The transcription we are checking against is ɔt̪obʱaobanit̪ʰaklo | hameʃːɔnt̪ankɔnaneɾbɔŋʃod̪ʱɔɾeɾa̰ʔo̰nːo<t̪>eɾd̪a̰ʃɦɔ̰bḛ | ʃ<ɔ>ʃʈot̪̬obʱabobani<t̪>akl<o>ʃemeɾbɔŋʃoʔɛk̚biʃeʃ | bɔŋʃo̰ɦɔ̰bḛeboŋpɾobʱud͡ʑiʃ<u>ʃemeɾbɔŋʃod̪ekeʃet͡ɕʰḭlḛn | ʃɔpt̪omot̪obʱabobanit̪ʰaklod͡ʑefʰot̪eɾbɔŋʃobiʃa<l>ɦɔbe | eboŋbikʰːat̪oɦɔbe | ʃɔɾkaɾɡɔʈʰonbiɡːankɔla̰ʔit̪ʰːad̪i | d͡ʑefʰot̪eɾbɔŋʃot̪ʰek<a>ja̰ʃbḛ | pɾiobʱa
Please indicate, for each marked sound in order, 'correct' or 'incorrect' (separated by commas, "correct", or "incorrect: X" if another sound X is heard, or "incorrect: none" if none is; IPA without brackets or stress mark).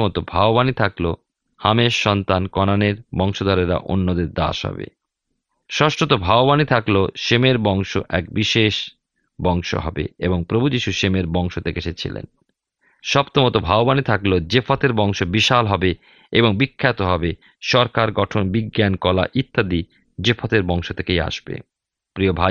incorrect: d̪, correct, incorrect: t̪ʰ, correct, correct, correct, incorrect: e